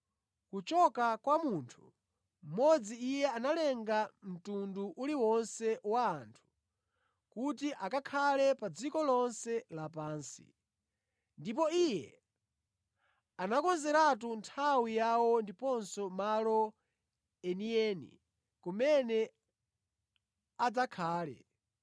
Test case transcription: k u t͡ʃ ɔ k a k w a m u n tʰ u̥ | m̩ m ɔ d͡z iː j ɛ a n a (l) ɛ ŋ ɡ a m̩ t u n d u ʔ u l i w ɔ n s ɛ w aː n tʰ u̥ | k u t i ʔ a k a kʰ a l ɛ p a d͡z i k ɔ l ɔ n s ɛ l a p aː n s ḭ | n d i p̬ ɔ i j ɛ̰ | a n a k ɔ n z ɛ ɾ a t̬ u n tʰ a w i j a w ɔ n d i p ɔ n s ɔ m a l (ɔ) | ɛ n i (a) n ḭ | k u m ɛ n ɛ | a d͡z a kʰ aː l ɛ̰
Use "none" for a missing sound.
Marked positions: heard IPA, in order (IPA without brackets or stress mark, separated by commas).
l, ɔ, ɛ